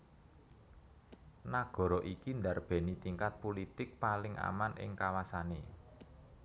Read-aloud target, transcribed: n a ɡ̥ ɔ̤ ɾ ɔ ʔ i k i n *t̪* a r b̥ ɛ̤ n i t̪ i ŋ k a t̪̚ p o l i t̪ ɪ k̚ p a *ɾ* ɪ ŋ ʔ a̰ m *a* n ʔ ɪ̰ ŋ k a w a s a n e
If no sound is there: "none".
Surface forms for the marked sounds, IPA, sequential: d̪, l, a

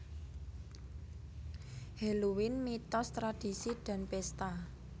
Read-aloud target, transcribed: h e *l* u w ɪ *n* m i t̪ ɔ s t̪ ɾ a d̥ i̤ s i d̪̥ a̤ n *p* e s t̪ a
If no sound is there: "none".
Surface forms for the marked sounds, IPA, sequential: l, n, p

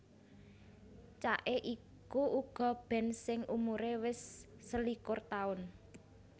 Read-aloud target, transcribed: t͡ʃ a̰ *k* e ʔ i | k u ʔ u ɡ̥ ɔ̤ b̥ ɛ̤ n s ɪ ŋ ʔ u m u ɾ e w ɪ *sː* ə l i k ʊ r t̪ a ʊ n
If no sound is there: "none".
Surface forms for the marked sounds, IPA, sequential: ʔ, sː

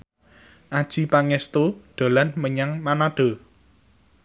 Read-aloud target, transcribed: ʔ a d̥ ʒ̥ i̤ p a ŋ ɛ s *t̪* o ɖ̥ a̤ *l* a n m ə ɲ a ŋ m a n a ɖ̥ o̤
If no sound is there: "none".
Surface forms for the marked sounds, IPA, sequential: t̪, l

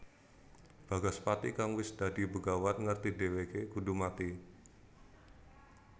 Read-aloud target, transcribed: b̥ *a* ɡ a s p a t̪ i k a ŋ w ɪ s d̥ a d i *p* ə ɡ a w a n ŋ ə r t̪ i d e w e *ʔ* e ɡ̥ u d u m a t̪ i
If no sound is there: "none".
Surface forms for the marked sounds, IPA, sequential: a, b, k

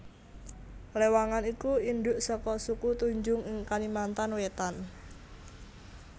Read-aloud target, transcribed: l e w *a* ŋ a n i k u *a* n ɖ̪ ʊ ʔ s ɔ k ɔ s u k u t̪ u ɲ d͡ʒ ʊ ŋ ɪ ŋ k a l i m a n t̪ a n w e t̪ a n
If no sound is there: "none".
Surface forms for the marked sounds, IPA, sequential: a, i

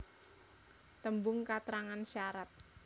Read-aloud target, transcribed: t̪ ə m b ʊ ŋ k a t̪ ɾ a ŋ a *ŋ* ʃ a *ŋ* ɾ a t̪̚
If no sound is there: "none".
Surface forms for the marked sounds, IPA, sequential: n, none

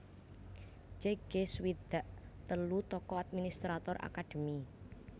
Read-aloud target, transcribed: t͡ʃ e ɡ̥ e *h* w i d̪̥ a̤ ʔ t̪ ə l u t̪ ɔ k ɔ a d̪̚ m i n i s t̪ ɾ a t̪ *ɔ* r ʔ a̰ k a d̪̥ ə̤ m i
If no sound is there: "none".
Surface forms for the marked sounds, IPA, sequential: s, ɔ

